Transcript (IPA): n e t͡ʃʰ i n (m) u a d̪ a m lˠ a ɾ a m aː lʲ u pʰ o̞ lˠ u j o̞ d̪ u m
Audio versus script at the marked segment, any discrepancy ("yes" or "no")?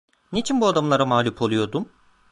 yes